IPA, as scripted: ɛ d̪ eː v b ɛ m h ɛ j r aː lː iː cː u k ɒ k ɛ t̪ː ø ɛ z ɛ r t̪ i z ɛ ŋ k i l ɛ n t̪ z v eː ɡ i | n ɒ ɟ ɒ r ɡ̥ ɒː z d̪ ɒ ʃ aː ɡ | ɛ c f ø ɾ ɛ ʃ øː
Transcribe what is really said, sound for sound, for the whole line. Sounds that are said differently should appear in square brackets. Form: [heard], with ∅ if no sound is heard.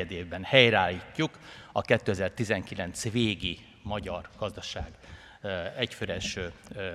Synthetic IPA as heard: ɛ d̪ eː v b ɛ [n] h ɛ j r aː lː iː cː u k ɒ k ɛ t̪ː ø ɛ z ɛ r t̪ i z ɛ ŋ k i l ɛ n t̪ [s] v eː ɡ i | [m] ɒ ɟ ɒ r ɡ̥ [ɒ] z d̪ ɒ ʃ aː ɡ | ɛ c f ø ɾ ɛ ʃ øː